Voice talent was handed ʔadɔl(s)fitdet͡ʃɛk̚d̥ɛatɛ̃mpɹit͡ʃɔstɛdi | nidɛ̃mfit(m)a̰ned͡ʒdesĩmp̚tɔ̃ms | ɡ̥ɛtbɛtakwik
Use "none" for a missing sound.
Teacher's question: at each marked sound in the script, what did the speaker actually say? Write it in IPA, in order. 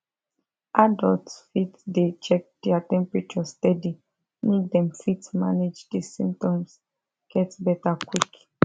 t, m

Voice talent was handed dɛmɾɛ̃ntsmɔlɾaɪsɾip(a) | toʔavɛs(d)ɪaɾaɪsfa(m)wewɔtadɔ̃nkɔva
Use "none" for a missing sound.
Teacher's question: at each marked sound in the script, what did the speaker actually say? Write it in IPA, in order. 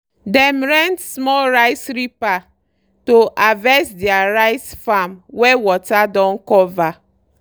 a, d, m

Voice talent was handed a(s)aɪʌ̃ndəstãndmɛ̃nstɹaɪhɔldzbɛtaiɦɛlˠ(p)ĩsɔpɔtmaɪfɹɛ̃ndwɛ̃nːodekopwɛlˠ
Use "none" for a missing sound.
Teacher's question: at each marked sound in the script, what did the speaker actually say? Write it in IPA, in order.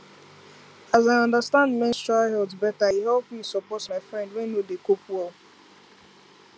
z, p

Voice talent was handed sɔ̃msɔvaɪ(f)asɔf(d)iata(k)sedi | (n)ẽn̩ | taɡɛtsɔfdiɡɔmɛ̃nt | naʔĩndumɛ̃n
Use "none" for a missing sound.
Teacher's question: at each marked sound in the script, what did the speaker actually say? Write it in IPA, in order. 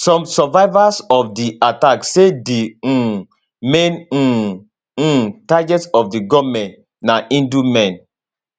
v, d, k, m

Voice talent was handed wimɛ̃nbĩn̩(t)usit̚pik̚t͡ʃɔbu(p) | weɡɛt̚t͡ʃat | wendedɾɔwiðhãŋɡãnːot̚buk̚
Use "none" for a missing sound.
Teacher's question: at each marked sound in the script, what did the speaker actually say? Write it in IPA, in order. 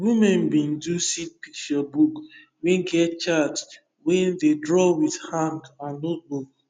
d, k

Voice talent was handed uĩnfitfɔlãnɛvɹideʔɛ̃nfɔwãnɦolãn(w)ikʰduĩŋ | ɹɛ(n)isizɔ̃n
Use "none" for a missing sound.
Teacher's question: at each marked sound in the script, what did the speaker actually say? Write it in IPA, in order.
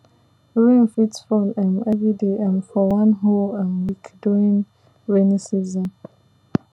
w, n

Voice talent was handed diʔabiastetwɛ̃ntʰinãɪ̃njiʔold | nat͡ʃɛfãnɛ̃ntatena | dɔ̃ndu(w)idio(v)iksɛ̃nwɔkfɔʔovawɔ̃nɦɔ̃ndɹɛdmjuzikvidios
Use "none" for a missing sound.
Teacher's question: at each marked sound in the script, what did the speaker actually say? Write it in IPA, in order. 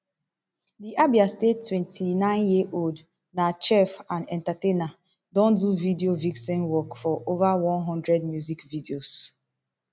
v, v

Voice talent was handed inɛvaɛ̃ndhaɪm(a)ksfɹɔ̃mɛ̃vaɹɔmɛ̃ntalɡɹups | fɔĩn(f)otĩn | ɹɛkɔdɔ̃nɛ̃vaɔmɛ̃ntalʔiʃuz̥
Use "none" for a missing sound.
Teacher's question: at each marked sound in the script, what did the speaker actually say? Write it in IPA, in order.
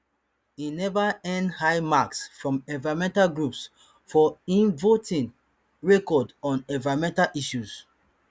a, v

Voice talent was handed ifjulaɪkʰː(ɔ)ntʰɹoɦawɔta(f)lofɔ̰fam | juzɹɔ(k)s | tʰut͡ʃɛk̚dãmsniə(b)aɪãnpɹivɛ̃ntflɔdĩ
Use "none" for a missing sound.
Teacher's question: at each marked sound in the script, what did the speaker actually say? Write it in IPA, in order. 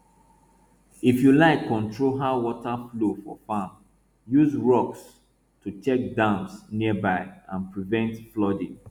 ɔ̃, f, k, b

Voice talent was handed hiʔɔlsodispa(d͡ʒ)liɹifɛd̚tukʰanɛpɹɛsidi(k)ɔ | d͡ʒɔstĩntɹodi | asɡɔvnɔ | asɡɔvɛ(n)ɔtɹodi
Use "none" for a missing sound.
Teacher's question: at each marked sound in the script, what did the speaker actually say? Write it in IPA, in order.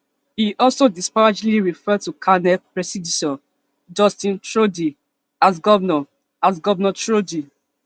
d͡ʒ, t, n

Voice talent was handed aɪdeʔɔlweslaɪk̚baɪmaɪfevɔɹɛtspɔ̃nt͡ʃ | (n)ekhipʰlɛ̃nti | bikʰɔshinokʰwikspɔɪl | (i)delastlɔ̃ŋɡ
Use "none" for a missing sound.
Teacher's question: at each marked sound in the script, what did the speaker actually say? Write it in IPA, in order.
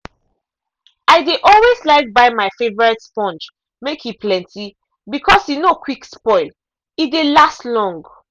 m, i

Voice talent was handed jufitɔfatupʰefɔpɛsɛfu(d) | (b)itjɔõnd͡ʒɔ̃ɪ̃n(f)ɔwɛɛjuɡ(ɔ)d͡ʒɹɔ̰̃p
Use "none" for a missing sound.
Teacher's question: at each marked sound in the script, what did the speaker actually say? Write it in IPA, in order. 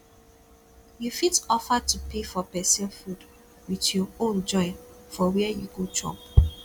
d, w, f, o

